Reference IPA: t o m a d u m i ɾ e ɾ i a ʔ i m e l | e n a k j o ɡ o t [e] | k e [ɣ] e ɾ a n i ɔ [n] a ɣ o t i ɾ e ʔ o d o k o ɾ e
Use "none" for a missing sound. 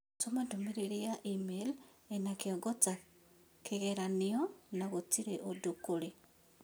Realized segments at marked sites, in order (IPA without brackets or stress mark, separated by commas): a, ɣ, n